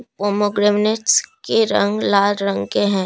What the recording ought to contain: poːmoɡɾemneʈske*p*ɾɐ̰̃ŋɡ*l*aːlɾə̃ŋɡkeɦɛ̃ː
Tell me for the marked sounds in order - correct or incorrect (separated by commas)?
incorrect, correct